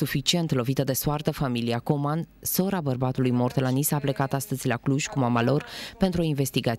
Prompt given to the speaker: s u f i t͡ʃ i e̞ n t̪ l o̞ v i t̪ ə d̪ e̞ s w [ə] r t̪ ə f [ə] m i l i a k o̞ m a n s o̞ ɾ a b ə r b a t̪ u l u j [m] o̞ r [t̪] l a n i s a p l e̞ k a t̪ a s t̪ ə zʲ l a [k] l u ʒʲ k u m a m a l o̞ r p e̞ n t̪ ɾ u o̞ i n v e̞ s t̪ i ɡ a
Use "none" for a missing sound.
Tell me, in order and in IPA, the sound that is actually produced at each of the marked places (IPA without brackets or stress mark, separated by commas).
a, a, m, t̪, k